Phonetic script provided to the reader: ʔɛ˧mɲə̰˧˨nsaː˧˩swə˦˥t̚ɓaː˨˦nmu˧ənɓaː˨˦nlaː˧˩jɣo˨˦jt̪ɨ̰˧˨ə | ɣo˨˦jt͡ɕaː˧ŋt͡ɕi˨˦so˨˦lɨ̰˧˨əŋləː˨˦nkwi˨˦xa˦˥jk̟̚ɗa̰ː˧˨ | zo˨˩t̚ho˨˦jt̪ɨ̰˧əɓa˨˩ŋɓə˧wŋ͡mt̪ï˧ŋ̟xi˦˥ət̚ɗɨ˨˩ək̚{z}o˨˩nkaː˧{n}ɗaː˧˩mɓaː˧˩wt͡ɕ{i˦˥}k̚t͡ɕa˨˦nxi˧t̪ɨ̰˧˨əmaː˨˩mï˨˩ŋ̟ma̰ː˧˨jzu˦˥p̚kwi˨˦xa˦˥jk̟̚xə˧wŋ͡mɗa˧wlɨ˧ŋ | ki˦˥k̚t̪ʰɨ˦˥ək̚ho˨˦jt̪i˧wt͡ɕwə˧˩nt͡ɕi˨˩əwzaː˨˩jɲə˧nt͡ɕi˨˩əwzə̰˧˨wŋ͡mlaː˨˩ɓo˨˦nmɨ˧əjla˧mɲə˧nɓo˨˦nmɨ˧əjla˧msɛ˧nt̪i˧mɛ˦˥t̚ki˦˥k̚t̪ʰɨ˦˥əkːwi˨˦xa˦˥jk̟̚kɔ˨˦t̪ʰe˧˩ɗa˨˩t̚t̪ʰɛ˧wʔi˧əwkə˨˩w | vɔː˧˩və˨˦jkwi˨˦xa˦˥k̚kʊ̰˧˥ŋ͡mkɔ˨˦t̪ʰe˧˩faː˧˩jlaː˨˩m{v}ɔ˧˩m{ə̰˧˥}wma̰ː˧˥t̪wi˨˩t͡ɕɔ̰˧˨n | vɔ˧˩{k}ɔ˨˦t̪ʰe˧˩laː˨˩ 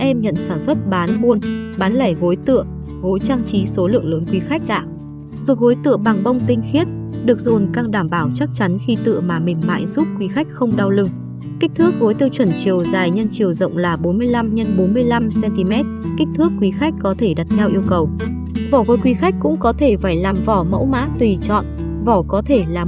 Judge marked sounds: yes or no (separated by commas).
yes, no, no, yes, yes, yes